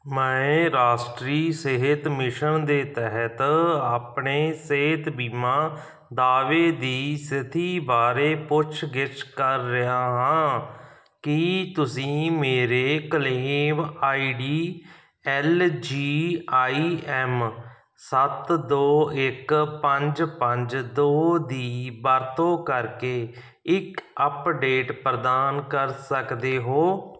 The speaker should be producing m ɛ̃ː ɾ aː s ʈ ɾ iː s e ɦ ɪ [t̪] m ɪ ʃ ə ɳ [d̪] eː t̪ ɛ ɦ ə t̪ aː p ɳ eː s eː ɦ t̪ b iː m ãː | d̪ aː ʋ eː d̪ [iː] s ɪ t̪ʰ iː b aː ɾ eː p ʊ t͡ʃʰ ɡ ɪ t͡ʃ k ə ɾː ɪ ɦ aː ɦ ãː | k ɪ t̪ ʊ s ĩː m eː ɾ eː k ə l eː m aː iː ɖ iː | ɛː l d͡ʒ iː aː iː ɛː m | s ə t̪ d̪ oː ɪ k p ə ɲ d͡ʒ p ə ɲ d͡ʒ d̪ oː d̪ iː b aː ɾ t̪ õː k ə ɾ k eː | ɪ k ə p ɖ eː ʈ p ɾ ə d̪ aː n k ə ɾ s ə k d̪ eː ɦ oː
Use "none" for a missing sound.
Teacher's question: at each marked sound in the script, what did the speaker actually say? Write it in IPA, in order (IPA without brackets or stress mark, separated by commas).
t̪, d̪, iː